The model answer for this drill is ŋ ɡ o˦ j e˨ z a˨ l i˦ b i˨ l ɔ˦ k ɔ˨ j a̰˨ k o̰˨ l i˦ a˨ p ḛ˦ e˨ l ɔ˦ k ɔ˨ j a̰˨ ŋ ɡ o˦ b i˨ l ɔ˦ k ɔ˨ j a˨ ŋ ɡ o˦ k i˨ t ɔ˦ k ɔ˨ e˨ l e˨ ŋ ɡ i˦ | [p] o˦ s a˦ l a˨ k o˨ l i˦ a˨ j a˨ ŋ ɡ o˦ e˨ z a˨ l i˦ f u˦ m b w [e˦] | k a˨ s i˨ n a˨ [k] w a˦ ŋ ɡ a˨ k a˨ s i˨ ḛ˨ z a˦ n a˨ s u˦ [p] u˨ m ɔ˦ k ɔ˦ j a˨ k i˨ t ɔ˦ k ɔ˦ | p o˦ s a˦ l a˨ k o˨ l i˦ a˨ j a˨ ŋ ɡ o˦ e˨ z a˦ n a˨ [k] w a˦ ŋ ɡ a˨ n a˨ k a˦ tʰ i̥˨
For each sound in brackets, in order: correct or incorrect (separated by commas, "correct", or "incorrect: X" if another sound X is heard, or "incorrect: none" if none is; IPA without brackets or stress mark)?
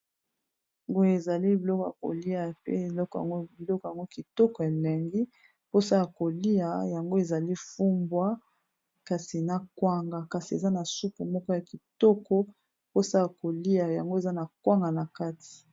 correct, incorrect: a˦, correct, correct, correct